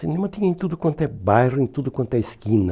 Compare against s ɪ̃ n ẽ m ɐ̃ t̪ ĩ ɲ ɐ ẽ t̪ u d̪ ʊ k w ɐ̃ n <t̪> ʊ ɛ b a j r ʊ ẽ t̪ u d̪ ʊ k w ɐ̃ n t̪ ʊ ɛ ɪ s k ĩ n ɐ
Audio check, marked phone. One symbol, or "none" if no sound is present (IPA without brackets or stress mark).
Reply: t̪